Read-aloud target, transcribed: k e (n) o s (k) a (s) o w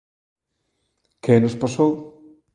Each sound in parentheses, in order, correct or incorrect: correct, incorrect: p, correct

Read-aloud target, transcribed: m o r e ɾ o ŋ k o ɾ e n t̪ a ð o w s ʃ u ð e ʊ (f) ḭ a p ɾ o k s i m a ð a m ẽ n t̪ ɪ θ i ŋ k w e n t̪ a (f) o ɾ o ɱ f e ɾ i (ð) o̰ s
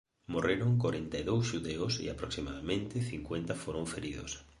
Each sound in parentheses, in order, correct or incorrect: incorrect: s, correct, correct

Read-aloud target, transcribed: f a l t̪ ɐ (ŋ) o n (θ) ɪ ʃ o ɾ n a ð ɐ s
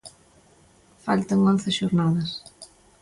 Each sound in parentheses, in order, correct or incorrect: correct, correct

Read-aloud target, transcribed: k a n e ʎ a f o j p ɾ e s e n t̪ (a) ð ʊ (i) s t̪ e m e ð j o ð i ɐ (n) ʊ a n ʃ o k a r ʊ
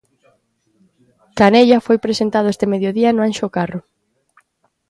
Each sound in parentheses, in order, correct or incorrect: correct, incorrect: e, correct

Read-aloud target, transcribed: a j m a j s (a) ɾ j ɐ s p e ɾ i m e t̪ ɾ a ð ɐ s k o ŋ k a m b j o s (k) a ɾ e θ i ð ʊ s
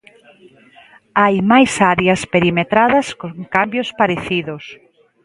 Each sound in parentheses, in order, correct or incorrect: correct, incorrect: p

